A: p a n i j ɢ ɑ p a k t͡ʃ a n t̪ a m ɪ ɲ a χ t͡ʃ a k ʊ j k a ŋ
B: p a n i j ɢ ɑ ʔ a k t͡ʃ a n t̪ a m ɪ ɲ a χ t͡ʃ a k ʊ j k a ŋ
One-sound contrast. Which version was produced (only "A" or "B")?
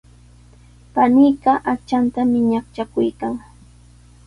B